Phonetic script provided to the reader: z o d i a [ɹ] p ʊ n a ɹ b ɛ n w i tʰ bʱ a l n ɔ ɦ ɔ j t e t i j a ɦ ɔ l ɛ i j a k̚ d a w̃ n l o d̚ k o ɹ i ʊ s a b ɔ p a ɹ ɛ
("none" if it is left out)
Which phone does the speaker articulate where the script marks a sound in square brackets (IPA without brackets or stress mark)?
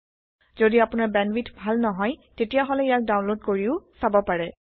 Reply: none